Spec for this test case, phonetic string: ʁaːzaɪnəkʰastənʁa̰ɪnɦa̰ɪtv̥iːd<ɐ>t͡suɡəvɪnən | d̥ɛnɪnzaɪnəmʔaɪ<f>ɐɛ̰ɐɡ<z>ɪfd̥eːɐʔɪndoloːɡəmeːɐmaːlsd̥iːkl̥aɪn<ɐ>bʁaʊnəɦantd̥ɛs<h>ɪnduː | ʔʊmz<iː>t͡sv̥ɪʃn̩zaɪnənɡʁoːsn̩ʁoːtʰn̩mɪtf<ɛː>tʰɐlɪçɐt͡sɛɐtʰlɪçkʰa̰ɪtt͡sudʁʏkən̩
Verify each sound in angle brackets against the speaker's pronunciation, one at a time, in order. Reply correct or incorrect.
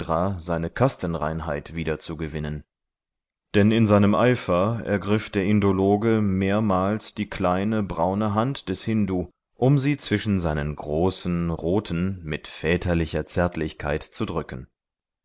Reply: correct, correct, incorrect, incorrect, correct, correct, correct

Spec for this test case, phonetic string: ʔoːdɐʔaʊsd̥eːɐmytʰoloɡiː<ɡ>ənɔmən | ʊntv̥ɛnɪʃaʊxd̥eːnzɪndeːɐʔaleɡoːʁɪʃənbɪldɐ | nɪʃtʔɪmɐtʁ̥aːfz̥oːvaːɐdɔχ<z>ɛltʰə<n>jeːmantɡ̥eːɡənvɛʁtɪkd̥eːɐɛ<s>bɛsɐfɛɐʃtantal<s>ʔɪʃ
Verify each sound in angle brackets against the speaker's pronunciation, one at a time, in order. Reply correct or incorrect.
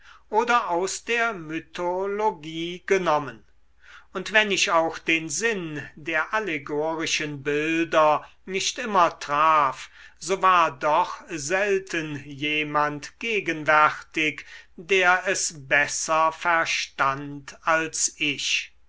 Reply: correct, correct, correct, correct, correct

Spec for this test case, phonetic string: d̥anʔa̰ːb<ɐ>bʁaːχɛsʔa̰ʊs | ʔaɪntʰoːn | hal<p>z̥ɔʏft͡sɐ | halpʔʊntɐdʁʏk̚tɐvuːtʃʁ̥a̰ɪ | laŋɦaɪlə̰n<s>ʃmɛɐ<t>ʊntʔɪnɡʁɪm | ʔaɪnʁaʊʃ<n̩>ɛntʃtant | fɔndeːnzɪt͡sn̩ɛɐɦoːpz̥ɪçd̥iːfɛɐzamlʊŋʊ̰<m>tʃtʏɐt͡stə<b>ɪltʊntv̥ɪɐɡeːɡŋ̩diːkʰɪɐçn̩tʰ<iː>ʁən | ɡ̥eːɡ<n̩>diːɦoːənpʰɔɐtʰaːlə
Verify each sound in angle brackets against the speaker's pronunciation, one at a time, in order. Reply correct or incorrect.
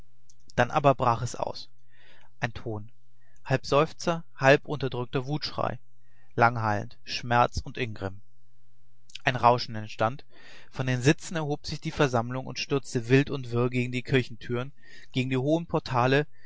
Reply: correct, correct, incorrect, incorrect, correct, incorrect, incorrect, incorrect, incorrect

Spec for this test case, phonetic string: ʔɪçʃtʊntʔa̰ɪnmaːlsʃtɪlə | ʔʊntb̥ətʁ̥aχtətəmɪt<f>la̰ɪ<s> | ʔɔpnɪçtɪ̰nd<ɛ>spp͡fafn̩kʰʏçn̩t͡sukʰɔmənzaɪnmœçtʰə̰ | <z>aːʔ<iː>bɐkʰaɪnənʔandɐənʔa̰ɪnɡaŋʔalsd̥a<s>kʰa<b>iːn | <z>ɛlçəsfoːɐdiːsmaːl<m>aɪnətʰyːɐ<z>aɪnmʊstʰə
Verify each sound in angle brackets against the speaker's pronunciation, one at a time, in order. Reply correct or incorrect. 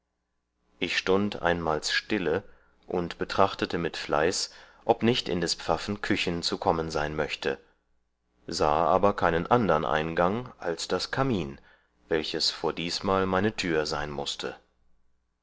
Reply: correct, correct, correct, correct, incorrect, correct, incorrect, incorrect, correct, correct

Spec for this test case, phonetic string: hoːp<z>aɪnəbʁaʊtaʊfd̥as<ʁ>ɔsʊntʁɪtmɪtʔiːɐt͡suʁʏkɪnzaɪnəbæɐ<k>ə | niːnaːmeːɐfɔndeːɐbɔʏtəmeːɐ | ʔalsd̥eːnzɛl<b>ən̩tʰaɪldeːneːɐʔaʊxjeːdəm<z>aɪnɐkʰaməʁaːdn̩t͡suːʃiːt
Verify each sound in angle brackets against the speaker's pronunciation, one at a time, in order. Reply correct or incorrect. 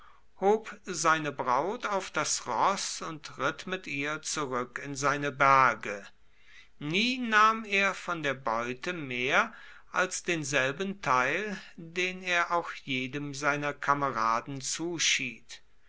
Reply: correct, correct, incorrect, correct, correct

